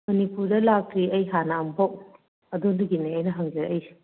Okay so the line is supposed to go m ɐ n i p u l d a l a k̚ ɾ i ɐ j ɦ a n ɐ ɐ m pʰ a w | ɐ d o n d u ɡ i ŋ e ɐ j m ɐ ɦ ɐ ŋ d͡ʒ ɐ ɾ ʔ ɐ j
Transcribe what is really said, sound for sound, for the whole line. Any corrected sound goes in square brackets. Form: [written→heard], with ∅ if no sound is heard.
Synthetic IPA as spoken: m ɐ n i p u [l→ɾ] d [a→ɐ] l a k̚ ɾ i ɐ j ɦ a n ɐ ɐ m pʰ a w | ɐ d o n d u ɡ i [ŋ→n] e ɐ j [m→n] ɐ ɦ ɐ ŋ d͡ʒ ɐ ɾ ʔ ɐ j